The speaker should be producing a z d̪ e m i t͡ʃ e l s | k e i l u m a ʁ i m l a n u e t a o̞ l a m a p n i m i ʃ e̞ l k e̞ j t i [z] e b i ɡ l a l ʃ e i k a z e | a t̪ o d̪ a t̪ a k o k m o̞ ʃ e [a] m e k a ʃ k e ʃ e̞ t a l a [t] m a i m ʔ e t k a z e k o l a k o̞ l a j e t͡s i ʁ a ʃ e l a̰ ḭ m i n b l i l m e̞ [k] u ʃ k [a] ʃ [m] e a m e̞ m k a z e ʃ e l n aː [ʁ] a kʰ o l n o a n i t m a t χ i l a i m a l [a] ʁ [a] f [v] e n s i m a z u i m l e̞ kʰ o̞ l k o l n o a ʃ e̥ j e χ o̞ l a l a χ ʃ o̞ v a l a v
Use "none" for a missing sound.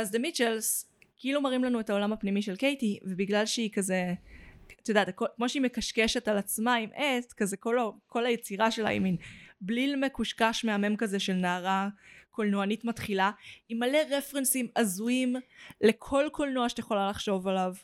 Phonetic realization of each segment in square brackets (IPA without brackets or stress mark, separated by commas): v, i, t͡s, k, a, m, ʁ, e, e, ʁ